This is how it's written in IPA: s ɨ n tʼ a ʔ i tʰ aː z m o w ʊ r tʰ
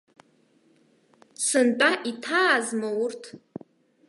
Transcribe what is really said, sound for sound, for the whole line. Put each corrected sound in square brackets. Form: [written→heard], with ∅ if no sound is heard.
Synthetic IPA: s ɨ n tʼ a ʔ i tʰ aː z m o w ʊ r tʰ